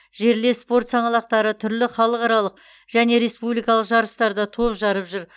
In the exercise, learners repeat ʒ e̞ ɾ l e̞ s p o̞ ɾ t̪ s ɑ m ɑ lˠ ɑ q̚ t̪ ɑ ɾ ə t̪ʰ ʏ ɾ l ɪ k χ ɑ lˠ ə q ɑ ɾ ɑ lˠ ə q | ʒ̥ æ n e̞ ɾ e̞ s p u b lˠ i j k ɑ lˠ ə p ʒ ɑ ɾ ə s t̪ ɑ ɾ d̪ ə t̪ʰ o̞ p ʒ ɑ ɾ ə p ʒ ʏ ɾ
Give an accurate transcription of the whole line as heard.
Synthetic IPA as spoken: ʒ e̞ ɾ l e̞ s p o̞ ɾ t̪ s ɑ ɴ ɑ lˠ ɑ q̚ t̪ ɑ ɾ ə t̪ʰ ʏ ɾ l ɪ χ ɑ lˠ ə q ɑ ɾ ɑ lˠ ə q | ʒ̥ æ n e̞ ɾ e̞ s p u b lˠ i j k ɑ lˠ ə q ʒ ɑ ɾ ə s t̪ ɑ ɾ d̪ ɑ t̪ʰ o̞ p ʒ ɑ ɾ ə p ʒ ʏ ɾ